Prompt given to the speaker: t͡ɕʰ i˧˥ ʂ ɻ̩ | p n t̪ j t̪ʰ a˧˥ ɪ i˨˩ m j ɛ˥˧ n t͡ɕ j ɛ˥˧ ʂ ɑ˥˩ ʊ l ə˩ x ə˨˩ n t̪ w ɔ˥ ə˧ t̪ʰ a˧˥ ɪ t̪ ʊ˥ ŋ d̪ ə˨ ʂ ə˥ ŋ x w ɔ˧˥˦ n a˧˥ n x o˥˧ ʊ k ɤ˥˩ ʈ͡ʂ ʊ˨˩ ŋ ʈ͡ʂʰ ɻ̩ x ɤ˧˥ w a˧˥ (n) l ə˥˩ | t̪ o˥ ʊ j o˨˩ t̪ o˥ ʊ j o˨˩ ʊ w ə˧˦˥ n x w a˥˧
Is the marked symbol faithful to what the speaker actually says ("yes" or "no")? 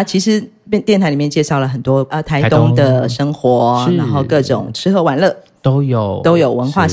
yes